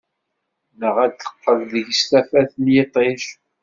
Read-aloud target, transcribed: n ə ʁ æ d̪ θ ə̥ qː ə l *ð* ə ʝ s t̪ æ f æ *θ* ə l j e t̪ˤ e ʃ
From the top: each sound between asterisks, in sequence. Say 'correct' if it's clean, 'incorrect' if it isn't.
correct, correct

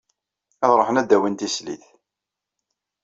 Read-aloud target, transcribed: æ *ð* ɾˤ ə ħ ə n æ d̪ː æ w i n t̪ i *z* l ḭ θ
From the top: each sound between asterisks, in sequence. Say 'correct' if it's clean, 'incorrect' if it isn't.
correct, incorrect

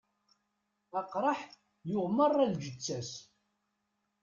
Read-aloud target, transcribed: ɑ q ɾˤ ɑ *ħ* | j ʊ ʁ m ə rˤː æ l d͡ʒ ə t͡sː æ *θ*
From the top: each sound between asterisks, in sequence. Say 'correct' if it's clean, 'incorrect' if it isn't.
correct, incorrect

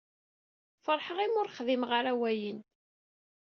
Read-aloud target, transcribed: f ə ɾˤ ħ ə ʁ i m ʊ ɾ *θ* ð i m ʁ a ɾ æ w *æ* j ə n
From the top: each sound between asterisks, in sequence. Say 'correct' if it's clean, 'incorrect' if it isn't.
incorrect, correct

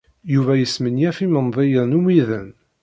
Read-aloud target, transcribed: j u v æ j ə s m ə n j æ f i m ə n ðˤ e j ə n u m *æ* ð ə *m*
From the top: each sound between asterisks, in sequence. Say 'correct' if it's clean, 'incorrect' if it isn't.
incorrect, incorrect

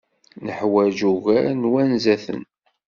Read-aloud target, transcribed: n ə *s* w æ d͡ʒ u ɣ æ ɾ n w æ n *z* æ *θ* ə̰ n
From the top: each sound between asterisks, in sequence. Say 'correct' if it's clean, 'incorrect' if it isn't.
incorrect, correct, correct

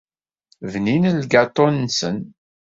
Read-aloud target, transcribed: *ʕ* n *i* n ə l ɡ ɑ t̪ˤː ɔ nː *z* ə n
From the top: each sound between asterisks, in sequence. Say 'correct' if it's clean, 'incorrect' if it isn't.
incorrect, correct, incorrect

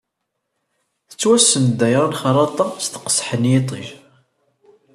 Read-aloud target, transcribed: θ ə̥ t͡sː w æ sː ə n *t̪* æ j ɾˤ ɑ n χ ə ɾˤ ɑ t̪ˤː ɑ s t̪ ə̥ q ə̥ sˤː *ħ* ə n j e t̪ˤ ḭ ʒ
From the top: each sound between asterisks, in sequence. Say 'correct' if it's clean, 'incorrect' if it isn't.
incorrect, correct

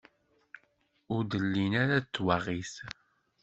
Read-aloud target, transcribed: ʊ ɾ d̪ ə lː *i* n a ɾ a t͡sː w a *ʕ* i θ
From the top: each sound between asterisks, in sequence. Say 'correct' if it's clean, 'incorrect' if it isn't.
correct, incorrect

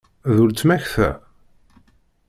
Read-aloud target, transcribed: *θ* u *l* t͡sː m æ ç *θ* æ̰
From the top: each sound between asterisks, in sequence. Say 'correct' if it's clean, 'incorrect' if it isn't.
incorrect, correct, correct

